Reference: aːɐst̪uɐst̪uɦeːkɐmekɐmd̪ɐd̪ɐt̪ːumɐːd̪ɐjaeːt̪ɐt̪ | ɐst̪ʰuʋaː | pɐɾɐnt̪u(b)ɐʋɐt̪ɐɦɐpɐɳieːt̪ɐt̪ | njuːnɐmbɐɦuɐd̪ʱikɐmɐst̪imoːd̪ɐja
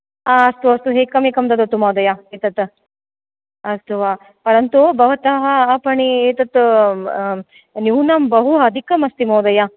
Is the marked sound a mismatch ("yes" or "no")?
no